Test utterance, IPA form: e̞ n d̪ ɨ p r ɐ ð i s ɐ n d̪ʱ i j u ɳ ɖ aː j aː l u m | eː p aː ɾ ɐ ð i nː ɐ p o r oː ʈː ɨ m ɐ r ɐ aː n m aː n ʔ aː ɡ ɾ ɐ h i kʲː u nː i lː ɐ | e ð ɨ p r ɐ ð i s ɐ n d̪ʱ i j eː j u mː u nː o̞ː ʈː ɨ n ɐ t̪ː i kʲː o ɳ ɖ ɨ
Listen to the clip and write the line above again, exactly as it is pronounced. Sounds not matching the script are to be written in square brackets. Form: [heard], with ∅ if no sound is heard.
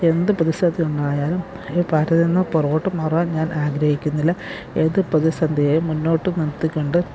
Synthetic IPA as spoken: e̞ n d̪ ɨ p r ɐ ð i s ɐ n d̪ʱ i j u ɳ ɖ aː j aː l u m | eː p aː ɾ ɐ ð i nː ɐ p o r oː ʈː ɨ m ɐ r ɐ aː n [ɲ] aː n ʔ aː ɡ ɾ ɐ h i kʲː u nː i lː ɐ | e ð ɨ p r ɐ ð i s ɐ n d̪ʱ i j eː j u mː u nː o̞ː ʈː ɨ n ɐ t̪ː i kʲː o ɳ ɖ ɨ